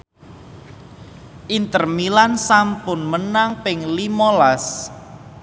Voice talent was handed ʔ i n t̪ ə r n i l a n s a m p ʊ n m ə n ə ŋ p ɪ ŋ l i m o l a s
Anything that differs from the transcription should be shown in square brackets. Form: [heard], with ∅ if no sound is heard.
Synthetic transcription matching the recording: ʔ i n t̪ ə r [m] i l a n s a m p ʊ n m ə n [a] ŋ p ɪ ŋ l i m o l a s